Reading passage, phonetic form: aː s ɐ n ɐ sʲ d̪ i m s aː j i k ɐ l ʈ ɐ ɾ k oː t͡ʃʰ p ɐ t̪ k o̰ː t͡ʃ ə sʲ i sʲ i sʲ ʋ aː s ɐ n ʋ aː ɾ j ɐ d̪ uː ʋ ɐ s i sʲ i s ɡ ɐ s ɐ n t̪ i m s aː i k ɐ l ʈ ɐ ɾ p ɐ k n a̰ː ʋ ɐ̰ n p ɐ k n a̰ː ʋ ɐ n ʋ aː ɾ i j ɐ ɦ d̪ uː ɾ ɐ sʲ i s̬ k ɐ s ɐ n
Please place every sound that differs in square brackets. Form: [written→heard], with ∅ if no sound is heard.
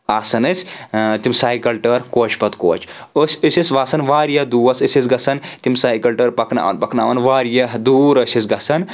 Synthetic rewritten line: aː s ɐ n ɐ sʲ [d̪→t̪] i m s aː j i k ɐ l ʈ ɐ ɾ k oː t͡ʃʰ p ɐ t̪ k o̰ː t͡ʃ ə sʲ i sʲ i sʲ ʋ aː s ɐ n ʋ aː ɾ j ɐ d̪ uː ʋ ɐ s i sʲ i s ɡ ɐ s ɐ n t̪ i m s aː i k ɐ l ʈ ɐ ɾ p ɐ k n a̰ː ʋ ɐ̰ n p ɐ k n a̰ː ʋ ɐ n ʋ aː ɾ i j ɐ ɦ d̪ uː ɾ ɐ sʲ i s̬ [k→ɡ] ɐ s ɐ n